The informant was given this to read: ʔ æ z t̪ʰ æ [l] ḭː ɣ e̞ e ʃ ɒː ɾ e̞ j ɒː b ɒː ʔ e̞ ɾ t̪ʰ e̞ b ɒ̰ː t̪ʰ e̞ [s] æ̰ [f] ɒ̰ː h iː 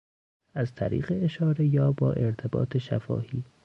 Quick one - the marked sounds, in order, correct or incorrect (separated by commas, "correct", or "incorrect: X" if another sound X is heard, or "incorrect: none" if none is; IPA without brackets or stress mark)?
incorrect: ɾ, incorrect: ʃ, correct